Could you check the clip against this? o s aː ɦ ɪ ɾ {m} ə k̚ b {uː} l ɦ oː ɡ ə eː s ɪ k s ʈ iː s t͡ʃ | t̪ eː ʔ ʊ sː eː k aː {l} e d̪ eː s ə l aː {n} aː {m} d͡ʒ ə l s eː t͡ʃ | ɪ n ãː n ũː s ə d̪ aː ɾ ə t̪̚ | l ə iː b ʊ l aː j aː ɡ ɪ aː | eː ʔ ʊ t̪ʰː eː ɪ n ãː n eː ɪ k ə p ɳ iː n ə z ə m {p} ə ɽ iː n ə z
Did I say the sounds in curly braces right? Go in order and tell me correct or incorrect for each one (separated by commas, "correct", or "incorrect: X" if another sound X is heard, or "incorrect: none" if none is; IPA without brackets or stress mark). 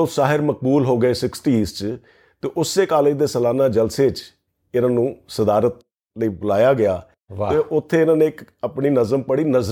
correct, correct, correct, correct, incorrect: none, correct